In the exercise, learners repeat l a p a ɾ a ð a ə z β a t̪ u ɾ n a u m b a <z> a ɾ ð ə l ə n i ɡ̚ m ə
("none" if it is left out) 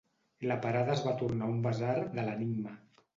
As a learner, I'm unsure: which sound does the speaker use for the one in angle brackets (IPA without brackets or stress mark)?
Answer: z